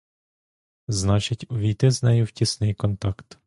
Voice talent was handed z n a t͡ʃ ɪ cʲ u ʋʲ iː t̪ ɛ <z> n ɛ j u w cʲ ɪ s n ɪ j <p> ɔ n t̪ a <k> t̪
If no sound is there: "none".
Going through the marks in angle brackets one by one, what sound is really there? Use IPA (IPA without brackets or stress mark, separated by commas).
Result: z, k, k